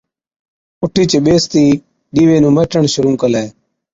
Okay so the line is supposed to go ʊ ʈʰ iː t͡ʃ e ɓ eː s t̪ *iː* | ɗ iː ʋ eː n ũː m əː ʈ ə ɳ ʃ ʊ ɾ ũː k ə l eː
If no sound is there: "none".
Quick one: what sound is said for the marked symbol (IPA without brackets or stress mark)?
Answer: iː